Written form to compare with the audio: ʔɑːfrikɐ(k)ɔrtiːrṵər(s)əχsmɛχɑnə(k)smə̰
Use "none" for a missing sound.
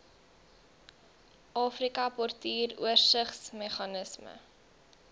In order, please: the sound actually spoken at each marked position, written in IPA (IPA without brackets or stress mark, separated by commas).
p, s, none